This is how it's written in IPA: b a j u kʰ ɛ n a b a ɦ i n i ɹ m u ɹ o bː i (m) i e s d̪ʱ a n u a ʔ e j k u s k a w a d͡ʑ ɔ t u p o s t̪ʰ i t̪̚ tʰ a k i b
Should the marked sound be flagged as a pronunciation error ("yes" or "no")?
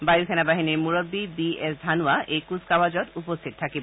yes